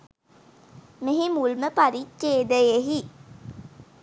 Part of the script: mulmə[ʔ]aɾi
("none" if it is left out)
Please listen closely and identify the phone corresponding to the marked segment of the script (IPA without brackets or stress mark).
p